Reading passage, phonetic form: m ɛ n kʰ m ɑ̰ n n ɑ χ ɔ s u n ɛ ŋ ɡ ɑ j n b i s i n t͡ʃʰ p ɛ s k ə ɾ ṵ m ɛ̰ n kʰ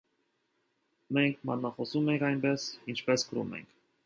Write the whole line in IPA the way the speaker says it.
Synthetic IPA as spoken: m ɛ ŋ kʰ m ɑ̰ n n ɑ χ ɔ s u m ɛ ŋ k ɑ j n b ɛ s i n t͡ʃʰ p ɛ s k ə ɾ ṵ m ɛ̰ ŋ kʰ